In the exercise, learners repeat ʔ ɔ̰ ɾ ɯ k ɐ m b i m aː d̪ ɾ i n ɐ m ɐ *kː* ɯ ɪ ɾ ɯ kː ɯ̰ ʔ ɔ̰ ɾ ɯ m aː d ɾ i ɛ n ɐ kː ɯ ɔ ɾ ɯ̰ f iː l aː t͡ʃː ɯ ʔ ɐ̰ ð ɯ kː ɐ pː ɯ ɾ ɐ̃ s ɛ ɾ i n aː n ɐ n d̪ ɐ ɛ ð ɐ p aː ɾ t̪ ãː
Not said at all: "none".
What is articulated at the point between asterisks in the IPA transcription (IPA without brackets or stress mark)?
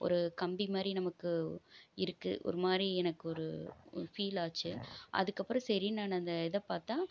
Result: kː